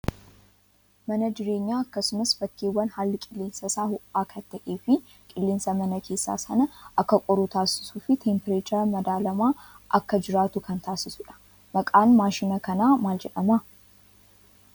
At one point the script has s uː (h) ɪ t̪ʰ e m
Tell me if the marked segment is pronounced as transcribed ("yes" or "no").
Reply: no